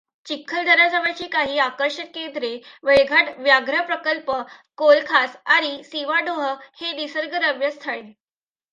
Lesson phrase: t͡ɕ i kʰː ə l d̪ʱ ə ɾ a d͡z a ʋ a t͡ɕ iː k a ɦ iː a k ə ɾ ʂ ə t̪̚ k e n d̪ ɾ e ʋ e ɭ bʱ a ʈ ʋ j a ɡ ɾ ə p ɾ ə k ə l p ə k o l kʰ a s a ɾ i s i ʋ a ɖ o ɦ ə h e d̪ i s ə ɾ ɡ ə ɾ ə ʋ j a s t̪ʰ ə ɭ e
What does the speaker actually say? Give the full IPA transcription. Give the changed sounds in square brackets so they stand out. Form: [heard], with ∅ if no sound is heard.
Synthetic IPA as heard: t͡ɕ i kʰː ə l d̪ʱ ə ɾ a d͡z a ʋ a t͡ɕ iː k a ɦ iː a k ə ɾ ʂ ə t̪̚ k e n d̪ ɾ e ʋ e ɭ [ɡʱ] a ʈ ʋ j a ɡ ɾ ə p ɾ ə k ə l p ə k o l kʰ a s a ɾ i s i ʋ a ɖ o ɦ ə h e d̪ i s ə ɾ ɡ ə ɾ ə ʋ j [ə] s t̪ʰ ə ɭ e